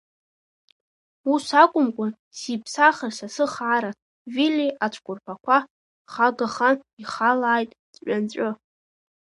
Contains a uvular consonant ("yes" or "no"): yes